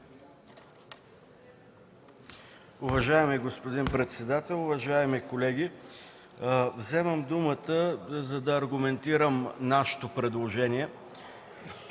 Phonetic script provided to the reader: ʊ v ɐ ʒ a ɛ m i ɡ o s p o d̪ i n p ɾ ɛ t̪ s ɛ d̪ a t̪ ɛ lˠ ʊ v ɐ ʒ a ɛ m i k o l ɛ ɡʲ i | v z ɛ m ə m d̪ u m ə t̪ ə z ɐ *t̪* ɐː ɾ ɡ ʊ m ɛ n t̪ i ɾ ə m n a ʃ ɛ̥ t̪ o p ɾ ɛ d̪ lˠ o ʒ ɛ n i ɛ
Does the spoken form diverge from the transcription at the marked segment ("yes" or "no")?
yes